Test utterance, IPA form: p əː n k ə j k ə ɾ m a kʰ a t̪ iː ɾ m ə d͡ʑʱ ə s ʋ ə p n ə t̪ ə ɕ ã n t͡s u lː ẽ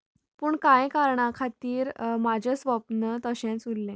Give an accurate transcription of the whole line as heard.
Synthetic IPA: p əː ɳ k a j k a ɾ ɳ a kʰ a t̪ iː ɾ m a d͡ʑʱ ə s ʋ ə p n ə t̪ ə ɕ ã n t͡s u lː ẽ